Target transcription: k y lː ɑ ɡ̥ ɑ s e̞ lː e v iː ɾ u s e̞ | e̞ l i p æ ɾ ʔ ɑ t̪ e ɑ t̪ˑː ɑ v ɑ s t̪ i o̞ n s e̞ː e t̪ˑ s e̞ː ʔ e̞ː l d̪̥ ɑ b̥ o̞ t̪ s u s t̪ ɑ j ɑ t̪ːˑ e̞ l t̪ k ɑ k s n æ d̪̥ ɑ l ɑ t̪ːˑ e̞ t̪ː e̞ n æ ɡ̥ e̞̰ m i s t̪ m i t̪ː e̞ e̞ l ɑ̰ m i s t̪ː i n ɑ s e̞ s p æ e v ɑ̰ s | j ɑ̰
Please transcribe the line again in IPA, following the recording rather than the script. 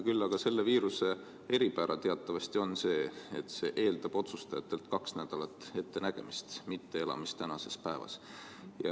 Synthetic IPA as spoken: k y lː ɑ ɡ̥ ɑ s e̞ lː e v iː ɾ u s e̞ | e̞ ɾ i p æ ɾ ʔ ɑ t̪ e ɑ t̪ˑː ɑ v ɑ s t̪ i o̞ n s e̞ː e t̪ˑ s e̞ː ʔ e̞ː l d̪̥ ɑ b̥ o̞ t̪ s u s t̪ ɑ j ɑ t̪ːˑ e̞ l t̪ k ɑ k s n æ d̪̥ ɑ l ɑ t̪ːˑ e̞ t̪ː e̞ n æ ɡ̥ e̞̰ m i s t̪ m i t̪ː e̞ e̞ l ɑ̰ m i s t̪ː æ n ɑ s e̞ s p æ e v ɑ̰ s | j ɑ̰